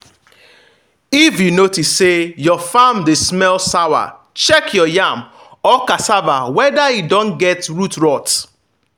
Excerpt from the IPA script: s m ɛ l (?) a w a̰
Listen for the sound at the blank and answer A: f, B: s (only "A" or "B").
B